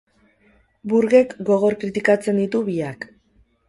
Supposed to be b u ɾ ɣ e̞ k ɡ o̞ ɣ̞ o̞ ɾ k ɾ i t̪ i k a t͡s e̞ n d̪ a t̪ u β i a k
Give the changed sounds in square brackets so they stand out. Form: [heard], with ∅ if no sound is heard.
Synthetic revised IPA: b u ɾ ɣ e̞ k ɡ o̞ ɣ̞ o̞ ɾ k ɾ i t̪ i k a t͡s e̞ n d̪ [i] t̪ u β i a k